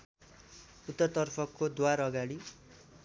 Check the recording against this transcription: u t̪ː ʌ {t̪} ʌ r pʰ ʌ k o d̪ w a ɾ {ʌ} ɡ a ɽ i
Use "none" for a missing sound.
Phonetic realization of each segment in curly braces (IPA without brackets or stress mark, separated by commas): t̪, ʌ